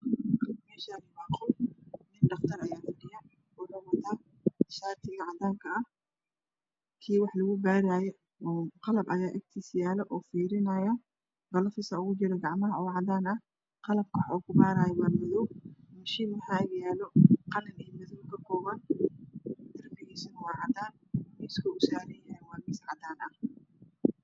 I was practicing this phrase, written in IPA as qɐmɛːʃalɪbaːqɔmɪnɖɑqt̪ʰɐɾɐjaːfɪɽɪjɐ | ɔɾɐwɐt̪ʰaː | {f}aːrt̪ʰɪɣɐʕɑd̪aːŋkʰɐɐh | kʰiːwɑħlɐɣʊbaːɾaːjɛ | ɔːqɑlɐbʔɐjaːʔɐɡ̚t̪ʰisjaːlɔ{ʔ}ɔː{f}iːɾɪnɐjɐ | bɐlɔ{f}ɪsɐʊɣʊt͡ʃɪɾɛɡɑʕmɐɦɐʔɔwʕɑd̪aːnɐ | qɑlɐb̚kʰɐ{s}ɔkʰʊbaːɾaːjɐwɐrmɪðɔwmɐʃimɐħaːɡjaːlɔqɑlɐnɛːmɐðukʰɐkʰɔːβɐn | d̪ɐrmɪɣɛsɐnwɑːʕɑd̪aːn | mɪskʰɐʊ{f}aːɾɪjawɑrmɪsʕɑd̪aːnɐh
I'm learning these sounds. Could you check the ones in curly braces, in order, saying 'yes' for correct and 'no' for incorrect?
no, yes, yes, yes, no, no

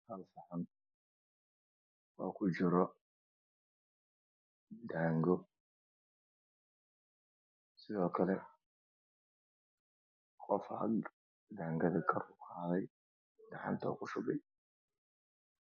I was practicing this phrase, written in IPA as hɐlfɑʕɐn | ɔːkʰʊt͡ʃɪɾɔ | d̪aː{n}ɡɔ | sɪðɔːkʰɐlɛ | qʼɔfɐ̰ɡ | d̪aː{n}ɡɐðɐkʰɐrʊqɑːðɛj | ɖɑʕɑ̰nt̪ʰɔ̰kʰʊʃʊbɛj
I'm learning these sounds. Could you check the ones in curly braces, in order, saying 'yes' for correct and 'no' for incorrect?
no, no

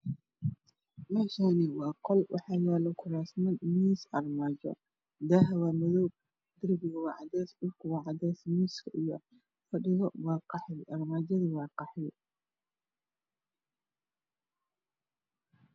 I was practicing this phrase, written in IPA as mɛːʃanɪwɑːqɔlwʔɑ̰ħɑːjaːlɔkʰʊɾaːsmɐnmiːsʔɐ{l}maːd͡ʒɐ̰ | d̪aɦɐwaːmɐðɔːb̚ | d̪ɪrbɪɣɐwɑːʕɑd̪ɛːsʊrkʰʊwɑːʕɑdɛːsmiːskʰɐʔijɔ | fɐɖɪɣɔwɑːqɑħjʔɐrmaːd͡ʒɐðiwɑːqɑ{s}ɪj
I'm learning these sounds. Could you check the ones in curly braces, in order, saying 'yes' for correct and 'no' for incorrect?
no, no

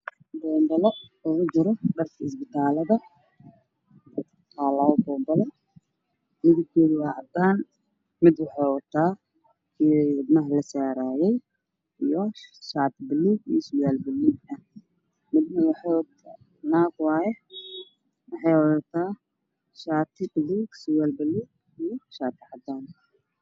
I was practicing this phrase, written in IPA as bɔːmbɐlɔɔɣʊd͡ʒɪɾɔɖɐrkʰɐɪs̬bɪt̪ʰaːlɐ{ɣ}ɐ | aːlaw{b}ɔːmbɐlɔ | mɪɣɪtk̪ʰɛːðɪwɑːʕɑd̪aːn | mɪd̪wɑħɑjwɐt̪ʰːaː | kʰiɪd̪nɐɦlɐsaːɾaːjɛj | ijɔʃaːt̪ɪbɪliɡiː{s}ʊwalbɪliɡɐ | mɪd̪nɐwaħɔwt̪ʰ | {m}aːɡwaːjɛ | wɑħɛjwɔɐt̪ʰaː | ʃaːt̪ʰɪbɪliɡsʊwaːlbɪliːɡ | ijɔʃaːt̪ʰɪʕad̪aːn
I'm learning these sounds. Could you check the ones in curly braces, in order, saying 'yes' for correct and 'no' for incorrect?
no, yes, yes, no

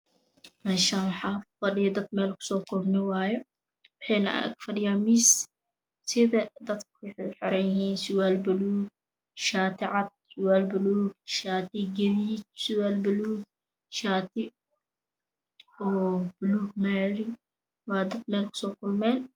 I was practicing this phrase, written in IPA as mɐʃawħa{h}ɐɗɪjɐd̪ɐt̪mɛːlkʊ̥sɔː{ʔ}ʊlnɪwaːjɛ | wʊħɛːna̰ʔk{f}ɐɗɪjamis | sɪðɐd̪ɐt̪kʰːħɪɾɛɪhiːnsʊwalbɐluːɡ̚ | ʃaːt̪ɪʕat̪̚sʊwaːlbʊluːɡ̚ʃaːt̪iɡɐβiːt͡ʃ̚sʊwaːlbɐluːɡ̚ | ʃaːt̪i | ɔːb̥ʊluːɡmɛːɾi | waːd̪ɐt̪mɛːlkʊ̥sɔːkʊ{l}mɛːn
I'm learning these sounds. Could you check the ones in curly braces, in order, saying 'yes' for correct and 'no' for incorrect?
no, no, yes, yes

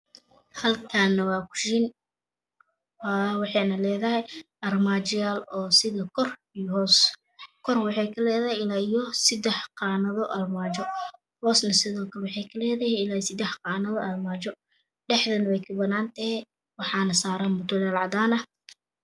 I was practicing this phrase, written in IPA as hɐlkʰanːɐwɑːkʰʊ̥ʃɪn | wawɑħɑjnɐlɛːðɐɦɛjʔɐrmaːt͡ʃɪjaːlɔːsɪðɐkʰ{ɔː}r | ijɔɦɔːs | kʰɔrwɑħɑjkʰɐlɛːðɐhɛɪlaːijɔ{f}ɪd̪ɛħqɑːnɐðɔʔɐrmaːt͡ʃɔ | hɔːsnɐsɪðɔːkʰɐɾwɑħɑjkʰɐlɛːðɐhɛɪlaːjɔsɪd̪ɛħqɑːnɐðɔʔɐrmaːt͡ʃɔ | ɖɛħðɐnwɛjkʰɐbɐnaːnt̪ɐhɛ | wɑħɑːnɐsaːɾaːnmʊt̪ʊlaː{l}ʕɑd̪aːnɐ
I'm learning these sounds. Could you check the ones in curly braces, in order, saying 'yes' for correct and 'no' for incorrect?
no, no, yes

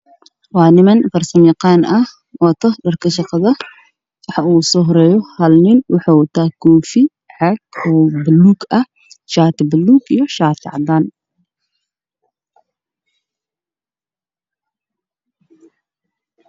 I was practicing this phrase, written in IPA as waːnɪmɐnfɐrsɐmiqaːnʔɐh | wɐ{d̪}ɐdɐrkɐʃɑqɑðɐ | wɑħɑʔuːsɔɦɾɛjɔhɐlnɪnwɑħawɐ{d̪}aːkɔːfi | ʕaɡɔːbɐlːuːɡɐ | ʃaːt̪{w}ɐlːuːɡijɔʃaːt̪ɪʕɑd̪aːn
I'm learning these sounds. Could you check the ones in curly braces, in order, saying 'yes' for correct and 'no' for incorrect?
no, no, no

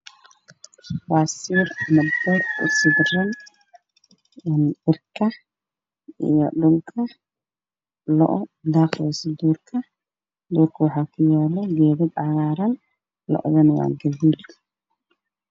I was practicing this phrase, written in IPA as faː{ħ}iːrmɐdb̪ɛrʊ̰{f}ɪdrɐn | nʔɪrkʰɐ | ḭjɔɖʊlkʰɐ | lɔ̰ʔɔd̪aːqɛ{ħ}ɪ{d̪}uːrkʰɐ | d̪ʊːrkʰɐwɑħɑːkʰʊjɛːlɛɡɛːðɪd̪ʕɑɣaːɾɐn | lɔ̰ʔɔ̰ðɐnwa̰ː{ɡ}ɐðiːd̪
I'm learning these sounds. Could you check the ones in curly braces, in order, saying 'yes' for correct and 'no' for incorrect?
no, no, no, yes, yes

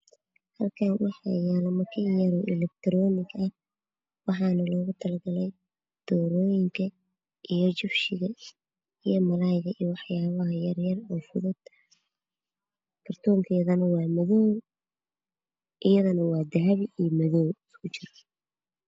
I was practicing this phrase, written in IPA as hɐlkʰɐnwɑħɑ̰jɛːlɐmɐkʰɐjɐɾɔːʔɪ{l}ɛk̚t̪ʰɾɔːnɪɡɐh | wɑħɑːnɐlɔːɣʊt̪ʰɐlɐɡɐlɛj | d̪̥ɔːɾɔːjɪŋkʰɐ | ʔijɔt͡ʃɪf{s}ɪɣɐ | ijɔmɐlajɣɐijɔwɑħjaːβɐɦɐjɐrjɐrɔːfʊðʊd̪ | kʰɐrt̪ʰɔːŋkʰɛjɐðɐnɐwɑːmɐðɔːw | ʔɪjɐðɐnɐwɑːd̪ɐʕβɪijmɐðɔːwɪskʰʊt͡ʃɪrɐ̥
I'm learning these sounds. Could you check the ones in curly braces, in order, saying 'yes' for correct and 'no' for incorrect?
yes, no

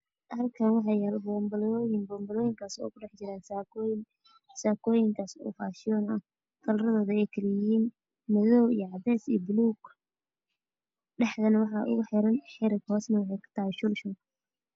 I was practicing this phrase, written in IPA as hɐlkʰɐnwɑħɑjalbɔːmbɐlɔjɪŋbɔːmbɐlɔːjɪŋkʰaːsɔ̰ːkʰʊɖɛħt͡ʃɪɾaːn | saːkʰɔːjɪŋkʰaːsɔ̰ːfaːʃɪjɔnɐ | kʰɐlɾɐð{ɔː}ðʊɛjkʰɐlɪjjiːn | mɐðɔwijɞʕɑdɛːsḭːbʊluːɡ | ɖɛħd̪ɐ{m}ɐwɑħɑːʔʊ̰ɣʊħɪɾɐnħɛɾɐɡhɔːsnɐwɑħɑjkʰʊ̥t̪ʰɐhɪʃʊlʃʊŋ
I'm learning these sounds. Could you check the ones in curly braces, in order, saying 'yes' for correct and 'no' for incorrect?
yes, no

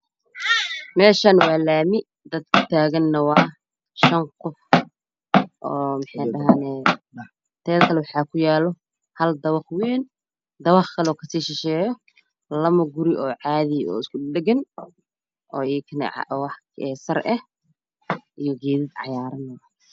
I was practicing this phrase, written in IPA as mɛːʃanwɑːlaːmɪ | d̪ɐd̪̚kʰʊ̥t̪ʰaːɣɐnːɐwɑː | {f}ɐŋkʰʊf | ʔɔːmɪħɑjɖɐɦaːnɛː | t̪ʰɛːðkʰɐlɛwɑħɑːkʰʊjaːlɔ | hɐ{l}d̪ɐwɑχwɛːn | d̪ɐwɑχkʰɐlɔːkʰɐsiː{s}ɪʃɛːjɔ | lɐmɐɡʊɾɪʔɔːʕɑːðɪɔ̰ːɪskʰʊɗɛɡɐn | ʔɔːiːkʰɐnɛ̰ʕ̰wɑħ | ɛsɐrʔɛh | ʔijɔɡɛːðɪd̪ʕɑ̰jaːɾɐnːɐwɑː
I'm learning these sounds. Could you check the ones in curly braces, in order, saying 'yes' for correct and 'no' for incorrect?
no, yes, no

